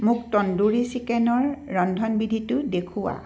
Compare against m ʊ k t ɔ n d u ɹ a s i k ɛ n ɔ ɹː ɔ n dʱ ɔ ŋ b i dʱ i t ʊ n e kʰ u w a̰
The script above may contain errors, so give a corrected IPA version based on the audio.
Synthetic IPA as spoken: m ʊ k t ɔ n d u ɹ i s i k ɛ n ɔ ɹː ɔ n dʱ ɔ n b i dʱ i t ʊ d e kʰ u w a̰